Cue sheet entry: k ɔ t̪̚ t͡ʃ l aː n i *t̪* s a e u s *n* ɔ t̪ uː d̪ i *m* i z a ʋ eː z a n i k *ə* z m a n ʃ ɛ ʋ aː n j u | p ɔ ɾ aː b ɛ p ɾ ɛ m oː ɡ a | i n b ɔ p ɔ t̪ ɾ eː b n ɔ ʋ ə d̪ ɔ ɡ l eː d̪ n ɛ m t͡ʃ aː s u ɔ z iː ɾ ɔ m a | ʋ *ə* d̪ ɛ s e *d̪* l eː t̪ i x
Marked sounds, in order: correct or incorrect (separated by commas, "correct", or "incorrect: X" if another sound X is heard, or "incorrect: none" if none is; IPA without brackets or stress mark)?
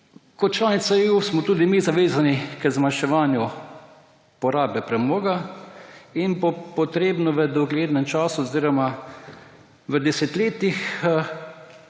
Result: correct, incorrect: m, correct, correct, correct, incorrect: t̪